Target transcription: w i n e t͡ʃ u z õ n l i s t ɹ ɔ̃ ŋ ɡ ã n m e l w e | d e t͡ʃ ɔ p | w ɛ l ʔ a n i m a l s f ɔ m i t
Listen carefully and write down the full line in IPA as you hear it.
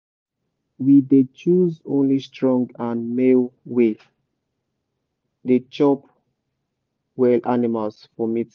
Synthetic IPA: w i d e t͡ʃ u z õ n l i s t ɹ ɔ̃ ŋ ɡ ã n m e l w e | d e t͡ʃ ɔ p | w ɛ l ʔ a n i m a l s f ɔ m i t